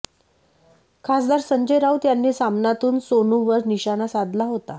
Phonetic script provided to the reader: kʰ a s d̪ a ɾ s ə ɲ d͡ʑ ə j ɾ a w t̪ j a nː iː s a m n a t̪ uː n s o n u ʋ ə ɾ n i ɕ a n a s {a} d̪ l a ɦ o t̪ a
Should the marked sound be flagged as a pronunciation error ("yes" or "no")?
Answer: no